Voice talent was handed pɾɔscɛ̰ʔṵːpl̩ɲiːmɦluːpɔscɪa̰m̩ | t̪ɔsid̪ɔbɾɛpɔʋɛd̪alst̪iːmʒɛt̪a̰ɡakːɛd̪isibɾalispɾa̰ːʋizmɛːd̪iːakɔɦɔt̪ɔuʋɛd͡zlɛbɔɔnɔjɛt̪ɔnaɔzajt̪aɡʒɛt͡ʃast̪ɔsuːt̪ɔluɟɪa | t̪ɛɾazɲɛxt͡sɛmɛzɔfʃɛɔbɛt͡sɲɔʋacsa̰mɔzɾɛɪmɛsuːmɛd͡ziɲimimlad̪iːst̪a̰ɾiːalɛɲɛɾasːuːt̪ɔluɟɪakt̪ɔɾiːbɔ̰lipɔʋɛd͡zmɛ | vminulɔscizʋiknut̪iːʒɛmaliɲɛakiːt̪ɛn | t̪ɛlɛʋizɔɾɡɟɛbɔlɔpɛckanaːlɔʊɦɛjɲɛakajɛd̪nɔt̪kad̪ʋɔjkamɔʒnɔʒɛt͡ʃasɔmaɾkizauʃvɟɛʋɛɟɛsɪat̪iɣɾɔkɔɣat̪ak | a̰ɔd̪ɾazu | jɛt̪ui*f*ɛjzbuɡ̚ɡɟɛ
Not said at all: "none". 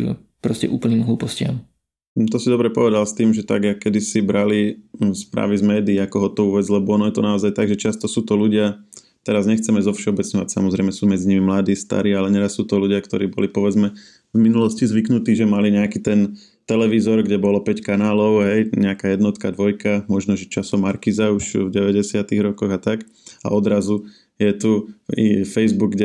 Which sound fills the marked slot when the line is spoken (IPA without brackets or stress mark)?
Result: f